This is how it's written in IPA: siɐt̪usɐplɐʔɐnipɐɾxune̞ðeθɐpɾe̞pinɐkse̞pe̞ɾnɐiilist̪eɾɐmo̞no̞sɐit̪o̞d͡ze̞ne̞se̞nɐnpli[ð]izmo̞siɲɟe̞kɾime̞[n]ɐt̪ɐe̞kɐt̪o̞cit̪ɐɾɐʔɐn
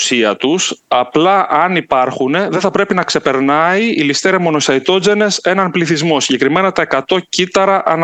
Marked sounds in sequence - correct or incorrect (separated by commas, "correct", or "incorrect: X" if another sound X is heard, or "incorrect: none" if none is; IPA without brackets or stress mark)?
incorrect: θ, correct